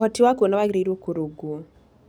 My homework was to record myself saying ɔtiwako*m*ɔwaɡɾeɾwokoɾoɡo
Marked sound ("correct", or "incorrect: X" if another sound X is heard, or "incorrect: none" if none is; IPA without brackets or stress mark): incorrect: n